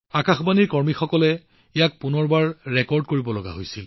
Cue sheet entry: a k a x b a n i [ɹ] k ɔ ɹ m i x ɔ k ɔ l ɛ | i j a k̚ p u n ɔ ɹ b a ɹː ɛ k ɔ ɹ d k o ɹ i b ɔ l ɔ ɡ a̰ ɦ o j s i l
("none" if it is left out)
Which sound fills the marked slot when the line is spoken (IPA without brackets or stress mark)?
ɹ